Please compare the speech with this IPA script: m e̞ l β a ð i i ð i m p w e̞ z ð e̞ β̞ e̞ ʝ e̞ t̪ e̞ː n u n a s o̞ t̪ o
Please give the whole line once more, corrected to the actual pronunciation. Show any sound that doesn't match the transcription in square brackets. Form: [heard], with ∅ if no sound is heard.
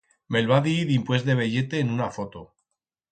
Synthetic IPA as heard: m e̞ l β a ð i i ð i m p w e̞ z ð e̞ β̞ e̞ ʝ e̞ t̪ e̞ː n u n a [f] o̞ t̪ o